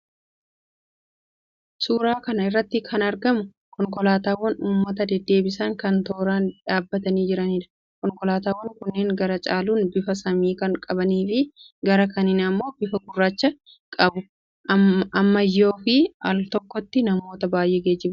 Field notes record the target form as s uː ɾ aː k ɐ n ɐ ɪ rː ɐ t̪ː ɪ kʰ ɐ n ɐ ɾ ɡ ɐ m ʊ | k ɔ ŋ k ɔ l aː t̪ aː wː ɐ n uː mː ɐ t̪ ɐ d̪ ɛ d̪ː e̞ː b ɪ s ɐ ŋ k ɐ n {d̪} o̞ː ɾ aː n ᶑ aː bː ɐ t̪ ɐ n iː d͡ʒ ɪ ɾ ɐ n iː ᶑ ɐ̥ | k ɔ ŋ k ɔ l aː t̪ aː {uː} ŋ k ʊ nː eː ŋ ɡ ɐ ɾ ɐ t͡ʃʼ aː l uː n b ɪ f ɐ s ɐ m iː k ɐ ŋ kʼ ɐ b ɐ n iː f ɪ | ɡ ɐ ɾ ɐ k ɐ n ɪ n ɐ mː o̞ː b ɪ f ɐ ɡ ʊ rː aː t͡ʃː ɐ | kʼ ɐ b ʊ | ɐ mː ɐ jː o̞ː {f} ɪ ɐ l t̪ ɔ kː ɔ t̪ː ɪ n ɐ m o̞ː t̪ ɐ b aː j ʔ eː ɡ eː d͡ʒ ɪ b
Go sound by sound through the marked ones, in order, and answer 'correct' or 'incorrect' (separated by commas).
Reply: incorrect, incorrect, correct